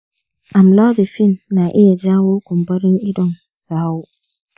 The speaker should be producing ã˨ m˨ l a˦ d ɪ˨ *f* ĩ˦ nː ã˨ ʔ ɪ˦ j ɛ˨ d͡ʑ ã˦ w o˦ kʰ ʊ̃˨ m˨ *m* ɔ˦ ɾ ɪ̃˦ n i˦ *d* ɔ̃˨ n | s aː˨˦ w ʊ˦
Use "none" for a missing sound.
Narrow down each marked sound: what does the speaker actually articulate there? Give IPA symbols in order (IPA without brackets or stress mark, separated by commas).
f, b, d